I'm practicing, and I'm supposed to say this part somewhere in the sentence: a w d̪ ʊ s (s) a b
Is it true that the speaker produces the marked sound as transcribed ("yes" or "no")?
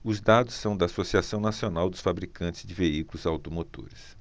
no